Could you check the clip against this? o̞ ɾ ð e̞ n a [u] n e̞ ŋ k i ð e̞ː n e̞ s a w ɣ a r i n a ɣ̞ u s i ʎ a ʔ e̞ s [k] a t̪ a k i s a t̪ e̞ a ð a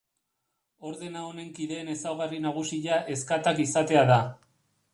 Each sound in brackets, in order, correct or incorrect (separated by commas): incorrect, correct